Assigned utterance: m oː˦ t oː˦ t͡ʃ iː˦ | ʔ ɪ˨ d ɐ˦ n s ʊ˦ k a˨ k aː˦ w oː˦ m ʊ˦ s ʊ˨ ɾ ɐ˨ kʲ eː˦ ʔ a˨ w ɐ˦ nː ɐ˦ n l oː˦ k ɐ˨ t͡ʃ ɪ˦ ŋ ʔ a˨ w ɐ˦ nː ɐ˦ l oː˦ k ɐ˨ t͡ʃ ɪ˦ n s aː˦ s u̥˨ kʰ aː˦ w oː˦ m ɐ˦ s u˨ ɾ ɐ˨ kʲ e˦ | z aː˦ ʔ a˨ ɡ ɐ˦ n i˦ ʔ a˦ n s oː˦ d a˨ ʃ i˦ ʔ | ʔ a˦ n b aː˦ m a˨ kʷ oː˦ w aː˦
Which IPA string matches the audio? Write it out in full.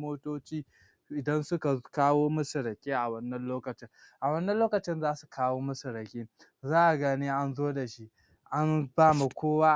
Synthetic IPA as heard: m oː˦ t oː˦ t͡ʃ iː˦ | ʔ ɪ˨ d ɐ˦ n s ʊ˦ k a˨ k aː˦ w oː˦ m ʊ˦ s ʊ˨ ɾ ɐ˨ kʲ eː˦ ʔ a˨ w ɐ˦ nː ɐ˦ n l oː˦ k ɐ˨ t͡ʃ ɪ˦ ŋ ʔ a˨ w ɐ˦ nː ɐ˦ l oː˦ k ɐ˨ t͡ʃ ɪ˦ n z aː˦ s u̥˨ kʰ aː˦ w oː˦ m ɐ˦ s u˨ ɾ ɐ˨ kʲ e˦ | z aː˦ ʔ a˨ ɡ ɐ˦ n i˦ ʔ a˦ n z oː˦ d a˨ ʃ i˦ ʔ | ʔ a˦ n b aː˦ m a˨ kʷ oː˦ w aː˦